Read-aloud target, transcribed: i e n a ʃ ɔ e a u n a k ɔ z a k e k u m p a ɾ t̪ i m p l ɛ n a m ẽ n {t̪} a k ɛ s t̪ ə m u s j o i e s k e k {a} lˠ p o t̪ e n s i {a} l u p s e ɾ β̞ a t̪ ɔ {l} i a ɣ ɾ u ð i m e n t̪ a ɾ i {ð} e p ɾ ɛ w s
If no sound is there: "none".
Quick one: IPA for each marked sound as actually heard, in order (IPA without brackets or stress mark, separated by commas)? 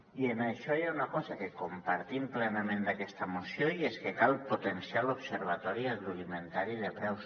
d̪, a, a, ɾ, ð